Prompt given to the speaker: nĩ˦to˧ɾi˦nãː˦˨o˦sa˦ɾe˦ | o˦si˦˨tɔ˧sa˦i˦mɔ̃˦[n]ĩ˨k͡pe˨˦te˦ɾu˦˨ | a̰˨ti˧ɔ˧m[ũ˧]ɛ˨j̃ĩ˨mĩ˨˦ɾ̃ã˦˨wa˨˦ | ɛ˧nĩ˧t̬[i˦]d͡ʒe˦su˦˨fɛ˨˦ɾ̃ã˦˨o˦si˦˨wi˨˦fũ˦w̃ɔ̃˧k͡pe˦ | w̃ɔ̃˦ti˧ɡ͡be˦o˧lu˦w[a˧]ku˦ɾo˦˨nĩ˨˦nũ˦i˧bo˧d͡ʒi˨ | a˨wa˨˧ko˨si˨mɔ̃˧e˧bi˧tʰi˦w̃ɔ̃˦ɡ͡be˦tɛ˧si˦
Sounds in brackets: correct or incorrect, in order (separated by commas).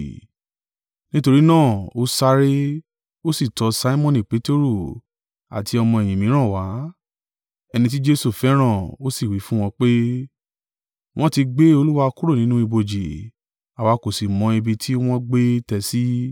correct, incorrect, correct, correct